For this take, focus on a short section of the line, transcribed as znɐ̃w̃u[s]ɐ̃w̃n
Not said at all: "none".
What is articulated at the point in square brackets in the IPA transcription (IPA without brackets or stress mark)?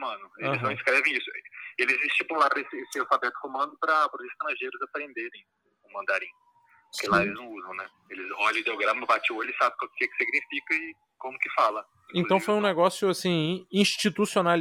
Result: z